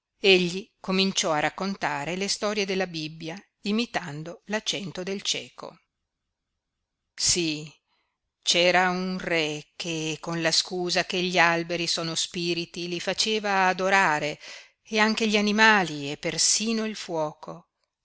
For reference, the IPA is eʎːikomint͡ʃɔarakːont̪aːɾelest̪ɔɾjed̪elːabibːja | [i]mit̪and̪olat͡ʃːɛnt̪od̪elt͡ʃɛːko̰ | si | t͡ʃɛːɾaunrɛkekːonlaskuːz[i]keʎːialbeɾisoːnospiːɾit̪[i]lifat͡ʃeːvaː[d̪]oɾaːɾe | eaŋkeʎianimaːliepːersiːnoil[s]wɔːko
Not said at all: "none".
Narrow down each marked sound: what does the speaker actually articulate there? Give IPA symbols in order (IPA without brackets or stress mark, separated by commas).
i, a, i, d̪, f